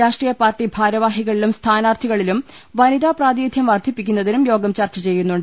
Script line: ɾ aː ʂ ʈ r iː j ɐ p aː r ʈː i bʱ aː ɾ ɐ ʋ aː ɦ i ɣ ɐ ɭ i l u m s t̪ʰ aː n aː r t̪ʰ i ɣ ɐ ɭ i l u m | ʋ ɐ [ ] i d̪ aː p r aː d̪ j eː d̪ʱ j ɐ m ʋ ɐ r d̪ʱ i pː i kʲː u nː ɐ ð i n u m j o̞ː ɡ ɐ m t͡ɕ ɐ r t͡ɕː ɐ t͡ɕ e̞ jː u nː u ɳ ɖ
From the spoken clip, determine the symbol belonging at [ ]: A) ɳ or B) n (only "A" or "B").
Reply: B